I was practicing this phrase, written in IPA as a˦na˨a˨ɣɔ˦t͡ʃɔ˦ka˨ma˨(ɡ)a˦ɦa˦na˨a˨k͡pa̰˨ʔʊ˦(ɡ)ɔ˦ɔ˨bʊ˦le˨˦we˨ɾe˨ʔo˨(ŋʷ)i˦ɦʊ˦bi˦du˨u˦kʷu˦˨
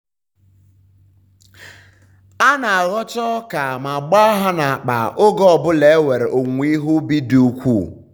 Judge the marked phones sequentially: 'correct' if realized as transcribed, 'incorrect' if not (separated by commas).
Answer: incorrect, correct, correct